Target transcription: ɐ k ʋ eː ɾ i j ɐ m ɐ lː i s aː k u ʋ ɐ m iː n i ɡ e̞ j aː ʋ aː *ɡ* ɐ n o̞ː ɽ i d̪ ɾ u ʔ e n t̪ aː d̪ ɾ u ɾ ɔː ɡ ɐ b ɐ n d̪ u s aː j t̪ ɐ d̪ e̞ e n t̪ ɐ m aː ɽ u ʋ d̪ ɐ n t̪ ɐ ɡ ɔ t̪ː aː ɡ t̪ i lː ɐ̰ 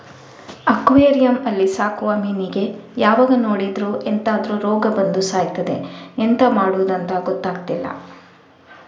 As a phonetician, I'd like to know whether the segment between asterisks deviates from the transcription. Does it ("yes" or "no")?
no